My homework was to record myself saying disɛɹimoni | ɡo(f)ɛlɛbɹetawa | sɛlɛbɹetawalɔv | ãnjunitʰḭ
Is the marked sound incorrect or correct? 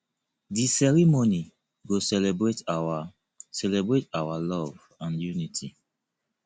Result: incorrect: s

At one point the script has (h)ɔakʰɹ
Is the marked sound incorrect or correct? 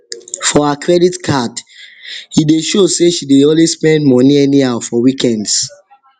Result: incorrect: f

